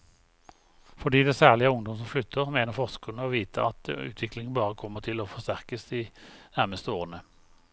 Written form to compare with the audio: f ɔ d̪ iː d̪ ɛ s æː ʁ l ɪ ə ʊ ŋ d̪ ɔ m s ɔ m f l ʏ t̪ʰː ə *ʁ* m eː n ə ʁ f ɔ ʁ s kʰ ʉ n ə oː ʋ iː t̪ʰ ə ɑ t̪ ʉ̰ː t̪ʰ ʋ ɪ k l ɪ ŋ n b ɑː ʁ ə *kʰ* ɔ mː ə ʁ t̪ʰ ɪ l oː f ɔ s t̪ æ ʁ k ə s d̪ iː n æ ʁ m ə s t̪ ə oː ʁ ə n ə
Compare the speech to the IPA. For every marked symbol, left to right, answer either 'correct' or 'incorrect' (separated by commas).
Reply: correct, correct